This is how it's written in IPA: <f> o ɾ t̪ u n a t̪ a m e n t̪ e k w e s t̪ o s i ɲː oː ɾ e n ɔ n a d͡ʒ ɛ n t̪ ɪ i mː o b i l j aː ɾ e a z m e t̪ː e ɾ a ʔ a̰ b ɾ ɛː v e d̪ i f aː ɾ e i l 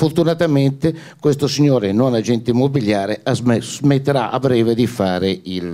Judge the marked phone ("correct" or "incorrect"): correct